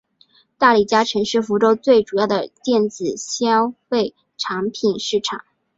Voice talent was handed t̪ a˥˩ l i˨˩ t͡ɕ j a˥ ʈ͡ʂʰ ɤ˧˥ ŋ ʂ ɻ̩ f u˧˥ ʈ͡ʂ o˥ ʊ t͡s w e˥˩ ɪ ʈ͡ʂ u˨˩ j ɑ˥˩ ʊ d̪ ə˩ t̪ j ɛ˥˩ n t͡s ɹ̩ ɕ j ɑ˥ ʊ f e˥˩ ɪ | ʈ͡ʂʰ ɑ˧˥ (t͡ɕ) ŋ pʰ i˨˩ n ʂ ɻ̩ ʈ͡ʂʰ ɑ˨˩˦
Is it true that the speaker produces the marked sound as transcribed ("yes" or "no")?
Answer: no